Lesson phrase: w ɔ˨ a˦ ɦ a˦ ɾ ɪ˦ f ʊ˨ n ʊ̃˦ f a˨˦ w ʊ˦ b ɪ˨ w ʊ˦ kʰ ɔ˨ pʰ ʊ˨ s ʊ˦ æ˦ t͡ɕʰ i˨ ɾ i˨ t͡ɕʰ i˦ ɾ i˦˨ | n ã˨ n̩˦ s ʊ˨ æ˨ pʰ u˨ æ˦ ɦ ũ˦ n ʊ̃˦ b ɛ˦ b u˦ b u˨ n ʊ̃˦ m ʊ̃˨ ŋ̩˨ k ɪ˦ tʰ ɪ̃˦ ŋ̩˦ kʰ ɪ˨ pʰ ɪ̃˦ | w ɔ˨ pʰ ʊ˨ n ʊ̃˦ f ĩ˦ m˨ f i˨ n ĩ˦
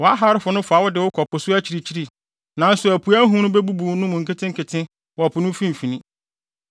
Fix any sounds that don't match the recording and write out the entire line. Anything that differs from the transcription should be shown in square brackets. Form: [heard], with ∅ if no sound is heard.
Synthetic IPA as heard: w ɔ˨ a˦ ɦ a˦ ɾ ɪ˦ f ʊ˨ n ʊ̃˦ f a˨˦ w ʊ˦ [d] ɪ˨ w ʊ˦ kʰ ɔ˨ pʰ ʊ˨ s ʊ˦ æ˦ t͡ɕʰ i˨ ɾ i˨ t͡ɕʰ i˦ ɾ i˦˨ | n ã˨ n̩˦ s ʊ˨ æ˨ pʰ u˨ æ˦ ɦ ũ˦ n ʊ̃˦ b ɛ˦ b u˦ b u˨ n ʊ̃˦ m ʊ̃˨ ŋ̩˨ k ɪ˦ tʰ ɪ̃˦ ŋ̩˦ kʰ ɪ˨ [tʰ] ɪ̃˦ | w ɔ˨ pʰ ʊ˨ n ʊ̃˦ f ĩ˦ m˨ f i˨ n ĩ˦